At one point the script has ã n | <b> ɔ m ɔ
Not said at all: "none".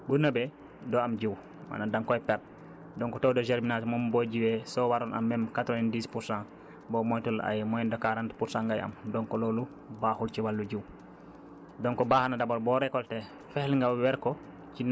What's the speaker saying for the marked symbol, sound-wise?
b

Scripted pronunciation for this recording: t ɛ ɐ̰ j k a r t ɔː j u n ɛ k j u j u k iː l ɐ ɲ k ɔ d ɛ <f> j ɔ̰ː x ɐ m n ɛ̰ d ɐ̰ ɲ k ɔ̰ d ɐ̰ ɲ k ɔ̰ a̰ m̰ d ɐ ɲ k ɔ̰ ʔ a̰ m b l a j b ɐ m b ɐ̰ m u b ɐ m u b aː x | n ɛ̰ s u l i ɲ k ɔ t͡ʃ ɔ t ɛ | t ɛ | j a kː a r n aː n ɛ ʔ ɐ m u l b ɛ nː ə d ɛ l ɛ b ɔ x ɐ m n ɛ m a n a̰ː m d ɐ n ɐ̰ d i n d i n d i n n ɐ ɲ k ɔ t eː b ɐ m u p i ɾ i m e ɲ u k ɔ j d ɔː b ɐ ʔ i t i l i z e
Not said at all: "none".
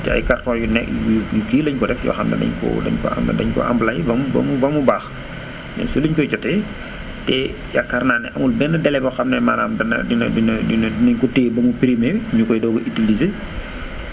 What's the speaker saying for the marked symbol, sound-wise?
f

